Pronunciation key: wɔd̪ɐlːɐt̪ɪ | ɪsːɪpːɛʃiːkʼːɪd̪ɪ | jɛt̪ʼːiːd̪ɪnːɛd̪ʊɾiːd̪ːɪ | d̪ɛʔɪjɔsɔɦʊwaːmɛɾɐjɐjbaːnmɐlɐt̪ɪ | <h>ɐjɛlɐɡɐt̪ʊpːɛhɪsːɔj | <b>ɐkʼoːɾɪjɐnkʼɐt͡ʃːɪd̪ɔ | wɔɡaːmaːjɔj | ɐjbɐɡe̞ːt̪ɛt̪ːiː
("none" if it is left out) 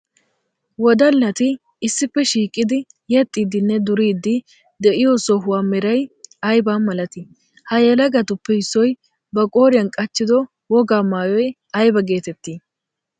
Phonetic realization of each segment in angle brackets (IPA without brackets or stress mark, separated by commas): h, b